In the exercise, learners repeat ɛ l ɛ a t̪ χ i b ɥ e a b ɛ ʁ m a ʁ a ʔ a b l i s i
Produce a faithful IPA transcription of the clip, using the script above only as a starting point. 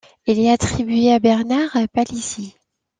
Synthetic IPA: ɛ l ɛ a t̪ χ i b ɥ e a b ɛ ʁ n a ʁ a p a l i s i